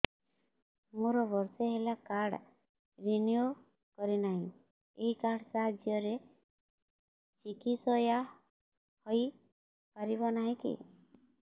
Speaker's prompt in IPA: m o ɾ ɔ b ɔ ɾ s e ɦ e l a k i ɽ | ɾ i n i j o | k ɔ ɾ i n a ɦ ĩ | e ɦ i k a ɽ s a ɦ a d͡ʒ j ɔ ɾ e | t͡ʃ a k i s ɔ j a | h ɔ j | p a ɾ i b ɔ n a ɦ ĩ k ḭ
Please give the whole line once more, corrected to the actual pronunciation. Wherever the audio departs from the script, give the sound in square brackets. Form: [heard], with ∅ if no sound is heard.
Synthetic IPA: m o ɾ ɔ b ɔ ɾ s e ɦ e l a k [a] ɽ | ɾ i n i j o | k ɔ ɾ i n a ɦ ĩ | e ɦ i k a ɽ s a ɦ a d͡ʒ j ɔ ɾ e | t͡ʃ [i] k i s ɔ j a | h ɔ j | p a ɾ i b ɔ n a ɦ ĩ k ḭ